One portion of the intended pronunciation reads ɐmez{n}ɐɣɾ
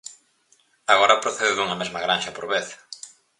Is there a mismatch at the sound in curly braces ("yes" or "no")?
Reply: yes